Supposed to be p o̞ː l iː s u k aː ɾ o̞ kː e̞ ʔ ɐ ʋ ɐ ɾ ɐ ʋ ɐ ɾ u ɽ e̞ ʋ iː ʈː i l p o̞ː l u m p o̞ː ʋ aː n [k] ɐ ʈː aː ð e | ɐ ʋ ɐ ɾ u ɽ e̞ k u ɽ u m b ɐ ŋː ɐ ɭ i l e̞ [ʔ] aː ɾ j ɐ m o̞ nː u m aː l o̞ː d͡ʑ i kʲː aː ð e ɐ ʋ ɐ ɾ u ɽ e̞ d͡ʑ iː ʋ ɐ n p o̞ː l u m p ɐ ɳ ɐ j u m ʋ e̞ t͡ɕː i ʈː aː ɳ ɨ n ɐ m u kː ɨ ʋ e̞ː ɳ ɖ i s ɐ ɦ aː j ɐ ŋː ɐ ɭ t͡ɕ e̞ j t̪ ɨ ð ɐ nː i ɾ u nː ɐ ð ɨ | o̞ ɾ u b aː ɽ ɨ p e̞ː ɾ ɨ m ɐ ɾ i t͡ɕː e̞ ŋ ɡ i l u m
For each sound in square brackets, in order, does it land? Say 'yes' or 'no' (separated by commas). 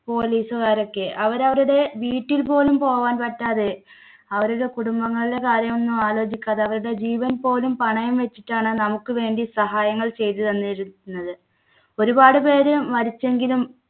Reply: no, no